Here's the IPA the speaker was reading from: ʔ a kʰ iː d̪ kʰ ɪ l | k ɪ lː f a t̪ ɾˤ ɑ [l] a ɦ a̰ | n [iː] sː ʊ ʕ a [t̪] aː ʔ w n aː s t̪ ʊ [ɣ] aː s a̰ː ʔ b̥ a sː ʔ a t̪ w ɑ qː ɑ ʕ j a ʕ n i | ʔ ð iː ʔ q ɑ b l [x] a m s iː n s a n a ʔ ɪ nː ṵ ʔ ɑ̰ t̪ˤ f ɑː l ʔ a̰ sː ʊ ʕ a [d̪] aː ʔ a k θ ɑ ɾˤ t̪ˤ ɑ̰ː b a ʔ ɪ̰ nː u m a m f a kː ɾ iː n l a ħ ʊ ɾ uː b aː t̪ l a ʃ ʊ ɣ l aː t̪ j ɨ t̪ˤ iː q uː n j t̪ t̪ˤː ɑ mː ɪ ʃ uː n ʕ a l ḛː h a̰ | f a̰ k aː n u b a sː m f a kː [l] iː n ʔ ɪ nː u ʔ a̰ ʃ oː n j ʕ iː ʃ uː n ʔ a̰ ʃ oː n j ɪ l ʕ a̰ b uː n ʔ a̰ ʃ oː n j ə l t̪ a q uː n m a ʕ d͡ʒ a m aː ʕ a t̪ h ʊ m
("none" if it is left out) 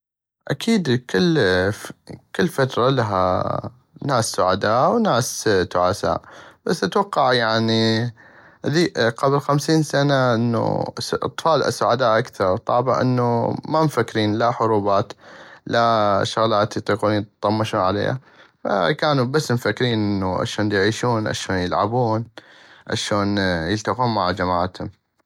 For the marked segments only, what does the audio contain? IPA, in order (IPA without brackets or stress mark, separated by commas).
l, aː, d̪, ʕ, x, d̪, ɾ